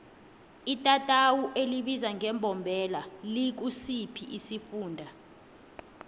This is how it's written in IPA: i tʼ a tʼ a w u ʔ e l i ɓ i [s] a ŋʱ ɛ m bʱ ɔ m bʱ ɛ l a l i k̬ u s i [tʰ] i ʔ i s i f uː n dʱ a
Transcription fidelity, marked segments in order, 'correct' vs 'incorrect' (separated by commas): incorrect, incorrect